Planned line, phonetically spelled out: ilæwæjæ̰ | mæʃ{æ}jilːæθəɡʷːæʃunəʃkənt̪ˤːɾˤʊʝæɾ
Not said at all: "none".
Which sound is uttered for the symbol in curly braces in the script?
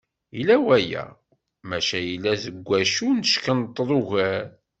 æ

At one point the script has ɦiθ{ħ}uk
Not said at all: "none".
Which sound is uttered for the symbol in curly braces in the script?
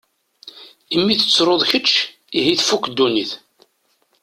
f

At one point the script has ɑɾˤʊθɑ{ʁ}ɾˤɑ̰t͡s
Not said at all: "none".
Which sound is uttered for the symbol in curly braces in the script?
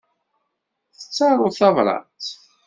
v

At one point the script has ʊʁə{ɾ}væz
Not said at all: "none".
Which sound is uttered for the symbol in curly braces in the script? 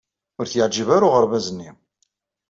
ɾ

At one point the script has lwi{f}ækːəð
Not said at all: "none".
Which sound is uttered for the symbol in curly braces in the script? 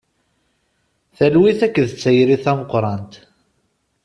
θ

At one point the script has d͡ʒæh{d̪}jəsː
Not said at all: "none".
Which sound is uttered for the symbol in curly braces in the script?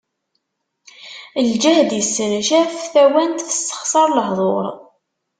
d̪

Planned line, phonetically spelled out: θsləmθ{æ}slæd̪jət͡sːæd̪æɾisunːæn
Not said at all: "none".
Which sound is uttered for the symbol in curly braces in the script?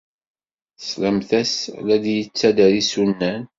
æ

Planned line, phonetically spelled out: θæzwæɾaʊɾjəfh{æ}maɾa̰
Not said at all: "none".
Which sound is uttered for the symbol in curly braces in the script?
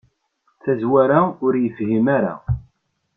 i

